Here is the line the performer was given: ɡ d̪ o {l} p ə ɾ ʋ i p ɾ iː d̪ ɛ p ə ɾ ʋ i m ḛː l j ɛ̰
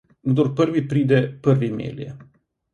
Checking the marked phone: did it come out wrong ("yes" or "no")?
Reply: yes